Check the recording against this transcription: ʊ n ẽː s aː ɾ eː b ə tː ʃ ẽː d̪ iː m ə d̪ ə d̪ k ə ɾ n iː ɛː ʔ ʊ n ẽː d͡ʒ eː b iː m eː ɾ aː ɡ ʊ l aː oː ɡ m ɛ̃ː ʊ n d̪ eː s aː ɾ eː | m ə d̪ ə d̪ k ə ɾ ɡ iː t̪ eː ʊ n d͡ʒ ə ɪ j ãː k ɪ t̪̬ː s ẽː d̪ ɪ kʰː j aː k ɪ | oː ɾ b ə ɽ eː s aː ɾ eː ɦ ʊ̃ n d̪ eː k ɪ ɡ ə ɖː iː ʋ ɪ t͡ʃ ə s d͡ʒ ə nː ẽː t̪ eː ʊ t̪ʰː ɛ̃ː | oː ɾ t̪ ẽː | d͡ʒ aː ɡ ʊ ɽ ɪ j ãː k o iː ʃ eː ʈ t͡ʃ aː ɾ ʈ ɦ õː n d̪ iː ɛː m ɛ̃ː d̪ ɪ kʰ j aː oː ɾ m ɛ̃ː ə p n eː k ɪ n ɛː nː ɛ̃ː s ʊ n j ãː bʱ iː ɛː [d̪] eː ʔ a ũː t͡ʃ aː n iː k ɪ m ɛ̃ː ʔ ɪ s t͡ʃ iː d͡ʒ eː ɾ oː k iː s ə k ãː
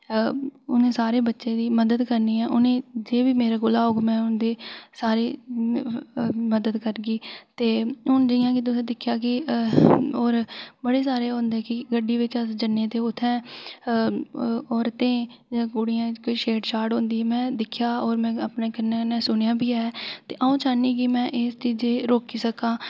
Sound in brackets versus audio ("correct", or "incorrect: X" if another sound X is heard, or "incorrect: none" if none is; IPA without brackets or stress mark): incorrect: t̪